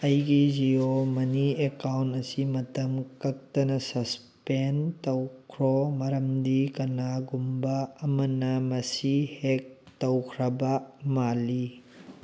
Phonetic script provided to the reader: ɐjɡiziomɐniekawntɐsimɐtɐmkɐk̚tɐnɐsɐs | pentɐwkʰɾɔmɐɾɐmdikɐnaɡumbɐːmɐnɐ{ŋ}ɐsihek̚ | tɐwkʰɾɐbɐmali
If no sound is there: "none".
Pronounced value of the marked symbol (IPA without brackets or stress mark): m